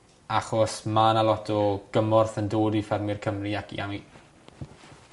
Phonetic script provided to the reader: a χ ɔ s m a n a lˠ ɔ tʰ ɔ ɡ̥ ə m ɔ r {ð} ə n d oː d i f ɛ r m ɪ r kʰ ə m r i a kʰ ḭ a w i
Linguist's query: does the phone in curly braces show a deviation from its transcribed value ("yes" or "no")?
yes